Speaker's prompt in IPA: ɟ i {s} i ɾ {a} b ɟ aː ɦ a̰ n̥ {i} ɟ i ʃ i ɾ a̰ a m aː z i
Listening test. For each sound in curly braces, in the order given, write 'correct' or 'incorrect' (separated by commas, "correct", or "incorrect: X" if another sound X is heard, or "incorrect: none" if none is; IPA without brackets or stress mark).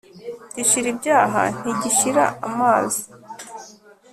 incorrect: ʃ, incorrect: i, correct